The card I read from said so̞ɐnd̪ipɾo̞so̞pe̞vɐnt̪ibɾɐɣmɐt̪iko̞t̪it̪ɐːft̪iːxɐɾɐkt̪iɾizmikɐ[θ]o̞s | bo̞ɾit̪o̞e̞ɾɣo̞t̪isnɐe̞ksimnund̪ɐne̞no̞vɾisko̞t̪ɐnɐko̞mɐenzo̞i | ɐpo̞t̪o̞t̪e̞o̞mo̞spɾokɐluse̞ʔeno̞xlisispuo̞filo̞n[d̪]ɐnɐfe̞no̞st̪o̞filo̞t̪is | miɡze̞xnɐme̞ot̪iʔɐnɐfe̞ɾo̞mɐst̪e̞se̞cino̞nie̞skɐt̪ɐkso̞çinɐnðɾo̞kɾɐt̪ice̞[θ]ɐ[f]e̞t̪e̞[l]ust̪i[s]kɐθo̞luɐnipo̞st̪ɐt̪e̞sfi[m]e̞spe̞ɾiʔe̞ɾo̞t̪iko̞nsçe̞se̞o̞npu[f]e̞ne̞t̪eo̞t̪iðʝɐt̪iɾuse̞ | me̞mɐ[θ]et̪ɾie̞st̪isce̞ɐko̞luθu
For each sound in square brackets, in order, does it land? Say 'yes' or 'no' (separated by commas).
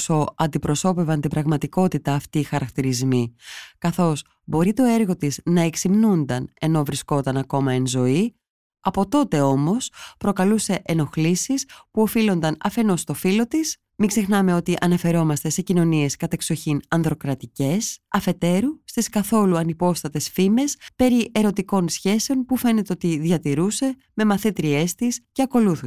yes, yes, no, yes, no, yes, yes, yes, yes